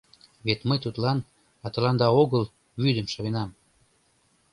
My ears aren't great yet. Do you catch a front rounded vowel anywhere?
yes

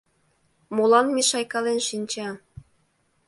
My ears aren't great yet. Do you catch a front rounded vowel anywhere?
no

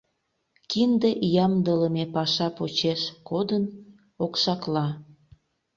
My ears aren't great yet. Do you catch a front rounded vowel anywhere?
no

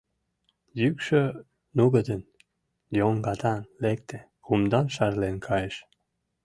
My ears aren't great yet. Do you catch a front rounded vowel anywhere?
yes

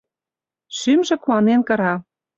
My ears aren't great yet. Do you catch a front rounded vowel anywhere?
yes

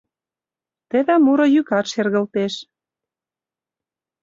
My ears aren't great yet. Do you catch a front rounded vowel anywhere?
yes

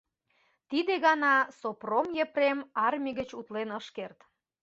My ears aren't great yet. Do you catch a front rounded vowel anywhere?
no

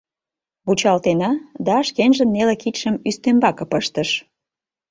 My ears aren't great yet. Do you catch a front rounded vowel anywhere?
yes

